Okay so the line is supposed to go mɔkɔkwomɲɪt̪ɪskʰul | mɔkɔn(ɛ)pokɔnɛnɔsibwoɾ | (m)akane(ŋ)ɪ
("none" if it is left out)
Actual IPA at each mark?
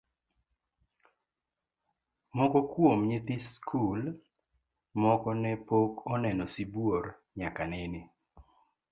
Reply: ɛ, ɲ, n

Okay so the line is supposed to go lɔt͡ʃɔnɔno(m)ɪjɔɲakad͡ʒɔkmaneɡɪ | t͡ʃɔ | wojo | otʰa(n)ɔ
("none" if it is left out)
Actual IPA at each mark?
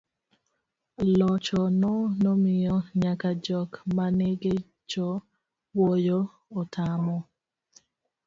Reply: m, m

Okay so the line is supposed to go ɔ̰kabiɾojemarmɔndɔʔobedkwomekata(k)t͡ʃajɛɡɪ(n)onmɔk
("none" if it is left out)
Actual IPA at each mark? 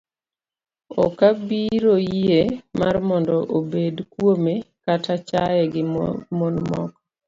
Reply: none, m

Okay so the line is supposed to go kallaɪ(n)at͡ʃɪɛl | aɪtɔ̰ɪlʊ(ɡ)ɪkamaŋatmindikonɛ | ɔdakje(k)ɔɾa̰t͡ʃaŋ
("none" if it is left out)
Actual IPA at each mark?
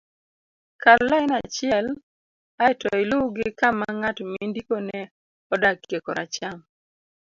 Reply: n, ɡ, k

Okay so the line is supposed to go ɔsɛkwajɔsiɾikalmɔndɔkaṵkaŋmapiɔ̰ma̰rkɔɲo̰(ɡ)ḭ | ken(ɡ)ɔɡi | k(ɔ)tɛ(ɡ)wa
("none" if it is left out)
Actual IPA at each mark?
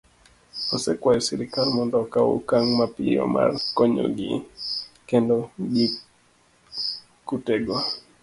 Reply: ɡ, d, u, ɡ

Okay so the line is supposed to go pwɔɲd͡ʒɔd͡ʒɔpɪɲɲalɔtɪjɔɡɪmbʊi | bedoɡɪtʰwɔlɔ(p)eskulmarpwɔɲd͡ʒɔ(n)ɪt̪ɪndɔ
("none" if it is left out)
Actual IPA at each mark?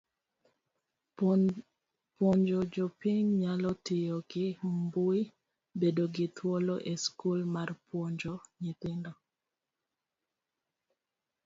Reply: ʔ, ɲ

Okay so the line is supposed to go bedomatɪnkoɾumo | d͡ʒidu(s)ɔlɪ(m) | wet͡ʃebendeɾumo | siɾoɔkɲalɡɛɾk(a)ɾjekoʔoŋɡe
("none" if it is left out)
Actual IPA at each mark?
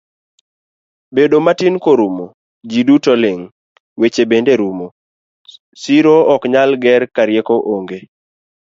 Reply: t, ŋ, a

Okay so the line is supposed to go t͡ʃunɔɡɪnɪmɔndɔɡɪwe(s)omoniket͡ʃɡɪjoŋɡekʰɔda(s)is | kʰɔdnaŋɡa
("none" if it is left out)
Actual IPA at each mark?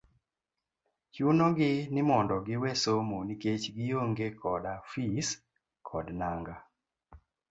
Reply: s, f

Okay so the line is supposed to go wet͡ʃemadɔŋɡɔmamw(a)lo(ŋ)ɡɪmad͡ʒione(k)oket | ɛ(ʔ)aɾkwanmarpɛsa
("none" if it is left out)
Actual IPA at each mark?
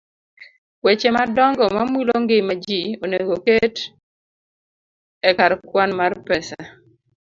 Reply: i, ŋ, ɡ, k

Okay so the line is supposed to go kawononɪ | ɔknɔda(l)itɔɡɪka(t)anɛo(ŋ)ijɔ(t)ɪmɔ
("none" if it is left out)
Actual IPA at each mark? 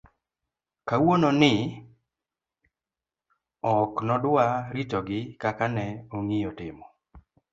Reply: ɾ, k, ŋ, t

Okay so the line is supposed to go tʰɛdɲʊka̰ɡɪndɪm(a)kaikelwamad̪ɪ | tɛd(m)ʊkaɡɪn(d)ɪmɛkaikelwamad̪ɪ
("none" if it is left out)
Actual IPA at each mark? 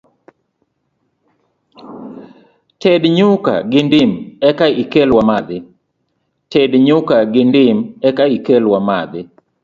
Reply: ɛ, ɲ, d

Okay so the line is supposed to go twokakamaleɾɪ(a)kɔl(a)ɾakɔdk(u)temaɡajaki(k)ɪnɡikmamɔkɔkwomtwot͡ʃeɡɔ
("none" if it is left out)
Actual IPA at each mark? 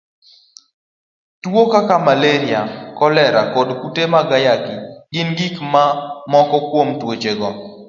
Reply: a, ɛ, u, ɡ

